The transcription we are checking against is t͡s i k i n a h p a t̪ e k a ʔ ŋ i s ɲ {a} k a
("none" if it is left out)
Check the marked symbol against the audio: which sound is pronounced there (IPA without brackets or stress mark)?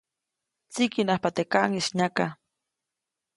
a